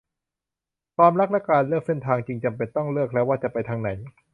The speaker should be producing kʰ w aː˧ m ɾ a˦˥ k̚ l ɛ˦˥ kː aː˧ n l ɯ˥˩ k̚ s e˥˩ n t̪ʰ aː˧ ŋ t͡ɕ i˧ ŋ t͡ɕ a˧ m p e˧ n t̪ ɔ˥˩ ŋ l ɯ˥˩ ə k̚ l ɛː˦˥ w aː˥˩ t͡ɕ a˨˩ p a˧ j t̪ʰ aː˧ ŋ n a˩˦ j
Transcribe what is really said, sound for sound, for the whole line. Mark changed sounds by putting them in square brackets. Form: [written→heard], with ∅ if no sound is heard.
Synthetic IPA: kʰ w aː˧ m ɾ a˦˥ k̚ l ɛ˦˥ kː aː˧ n l ɯ˥˩ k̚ s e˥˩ n t̪ʰ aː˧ ŋ t͡ɕ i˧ ŋ t͡ɕ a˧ m p e˧ n t̪ ɔ˥˩ ŋ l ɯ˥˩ ə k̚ l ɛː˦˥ w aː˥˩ t͡ɕ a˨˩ p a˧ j t̪ʰ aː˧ ŋ n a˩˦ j